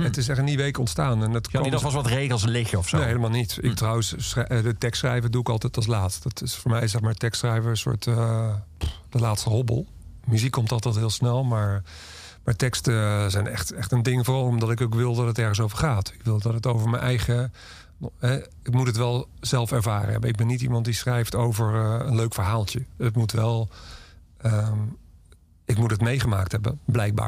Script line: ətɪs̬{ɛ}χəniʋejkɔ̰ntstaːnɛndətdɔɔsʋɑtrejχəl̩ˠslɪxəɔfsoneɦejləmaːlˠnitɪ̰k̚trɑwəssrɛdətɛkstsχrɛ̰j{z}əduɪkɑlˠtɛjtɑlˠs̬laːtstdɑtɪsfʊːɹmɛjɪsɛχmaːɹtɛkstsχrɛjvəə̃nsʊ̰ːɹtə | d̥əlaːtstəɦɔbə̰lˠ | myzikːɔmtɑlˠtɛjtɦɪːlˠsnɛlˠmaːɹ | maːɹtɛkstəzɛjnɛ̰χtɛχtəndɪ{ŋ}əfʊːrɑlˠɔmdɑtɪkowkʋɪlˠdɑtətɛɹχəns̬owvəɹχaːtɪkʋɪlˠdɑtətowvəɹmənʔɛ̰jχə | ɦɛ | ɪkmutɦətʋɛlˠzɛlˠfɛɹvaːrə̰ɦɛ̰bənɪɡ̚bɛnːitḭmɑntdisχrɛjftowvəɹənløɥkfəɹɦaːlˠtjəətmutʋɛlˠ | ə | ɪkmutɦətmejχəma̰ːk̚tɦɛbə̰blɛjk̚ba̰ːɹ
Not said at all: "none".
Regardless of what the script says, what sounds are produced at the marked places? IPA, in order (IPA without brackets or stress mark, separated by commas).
ɛ, v, ŋ